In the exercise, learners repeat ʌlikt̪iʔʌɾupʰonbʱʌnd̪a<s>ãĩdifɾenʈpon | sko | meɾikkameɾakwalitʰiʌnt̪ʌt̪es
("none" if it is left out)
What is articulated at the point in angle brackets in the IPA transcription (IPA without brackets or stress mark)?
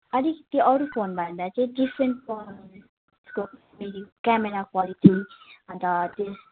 t͡s